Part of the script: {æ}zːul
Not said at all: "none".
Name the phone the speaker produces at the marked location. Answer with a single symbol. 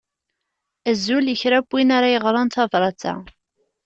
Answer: æ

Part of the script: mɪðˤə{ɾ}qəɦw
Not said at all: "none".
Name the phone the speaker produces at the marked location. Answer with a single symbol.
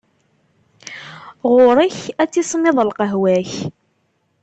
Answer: l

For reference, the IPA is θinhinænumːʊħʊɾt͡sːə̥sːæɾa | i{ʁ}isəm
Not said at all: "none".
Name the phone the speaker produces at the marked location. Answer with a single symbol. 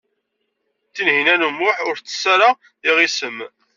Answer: ʁ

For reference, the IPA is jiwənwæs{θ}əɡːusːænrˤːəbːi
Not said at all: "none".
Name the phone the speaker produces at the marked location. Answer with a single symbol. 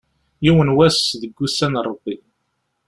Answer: ð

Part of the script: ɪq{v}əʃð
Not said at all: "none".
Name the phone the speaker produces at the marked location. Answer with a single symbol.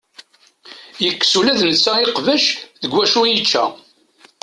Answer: v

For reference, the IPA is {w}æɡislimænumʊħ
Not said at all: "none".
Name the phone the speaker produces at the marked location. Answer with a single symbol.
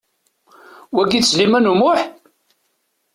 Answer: w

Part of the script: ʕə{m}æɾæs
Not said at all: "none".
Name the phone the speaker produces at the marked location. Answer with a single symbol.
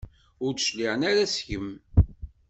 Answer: n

